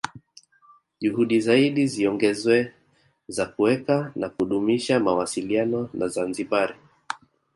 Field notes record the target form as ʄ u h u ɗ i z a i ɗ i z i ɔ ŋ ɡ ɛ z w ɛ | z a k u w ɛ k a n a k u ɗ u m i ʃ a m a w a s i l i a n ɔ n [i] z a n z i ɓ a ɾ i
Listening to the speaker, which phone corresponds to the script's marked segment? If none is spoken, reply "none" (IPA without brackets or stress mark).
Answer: a